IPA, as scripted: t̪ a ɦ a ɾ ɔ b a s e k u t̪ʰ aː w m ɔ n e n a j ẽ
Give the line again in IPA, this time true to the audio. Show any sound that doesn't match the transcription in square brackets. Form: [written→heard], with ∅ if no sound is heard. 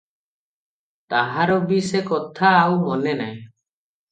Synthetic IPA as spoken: t̪ a ɦ a ɾ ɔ b [a→i] s e k [u→ɔ] t̪ʰ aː w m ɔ n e n a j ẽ